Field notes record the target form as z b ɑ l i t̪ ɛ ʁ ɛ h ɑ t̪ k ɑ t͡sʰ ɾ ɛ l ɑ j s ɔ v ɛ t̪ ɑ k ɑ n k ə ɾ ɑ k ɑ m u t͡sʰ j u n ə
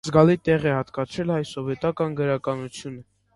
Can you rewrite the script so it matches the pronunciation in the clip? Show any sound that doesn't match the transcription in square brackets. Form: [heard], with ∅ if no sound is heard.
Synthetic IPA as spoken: z [ɡ] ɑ l i t̪ ɛ ʁ ɛ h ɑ t̪ k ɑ t͡sʰ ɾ ɛ l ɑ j s ɔ v ɛ t̪ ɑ k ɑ n [ɡ] ə ɾ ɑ k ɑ [n] u t͡sʰ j u n ə